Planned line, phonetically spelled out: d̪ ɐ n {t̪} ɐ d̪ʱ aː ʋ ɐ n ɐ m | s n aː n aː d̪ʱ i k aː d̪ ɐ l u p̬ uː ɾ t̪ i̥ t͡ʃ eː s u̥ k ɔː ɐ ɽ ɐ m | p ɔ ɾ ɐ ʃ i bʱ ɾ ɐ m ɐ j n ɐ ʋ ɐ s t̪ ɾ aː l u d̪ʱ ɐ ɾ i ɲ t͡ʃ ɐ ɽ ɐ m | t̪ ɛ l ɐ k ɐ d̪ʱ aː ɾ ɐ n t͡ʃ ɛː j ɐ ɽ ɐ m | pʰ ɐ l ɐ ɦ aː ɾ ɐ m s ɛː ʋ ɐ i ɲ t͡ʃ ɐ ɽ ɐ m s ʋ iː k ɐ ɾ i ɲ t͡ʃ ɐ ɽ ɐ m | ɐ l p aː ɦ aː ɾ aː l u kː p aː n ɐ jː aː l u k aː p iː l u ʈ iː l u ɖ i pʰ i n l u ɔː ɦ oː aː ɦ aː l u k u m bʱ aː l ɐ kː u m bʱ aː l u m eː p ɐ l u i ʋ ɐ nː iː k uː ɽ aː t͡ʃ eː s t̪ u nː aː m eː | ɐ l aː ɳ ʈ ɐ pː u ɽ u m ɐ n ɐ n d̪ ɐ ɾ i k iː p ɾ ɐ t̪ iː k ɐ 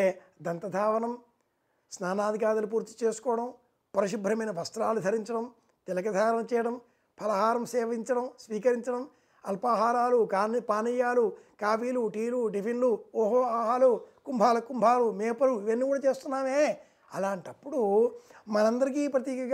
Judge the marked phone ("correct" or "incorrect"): correct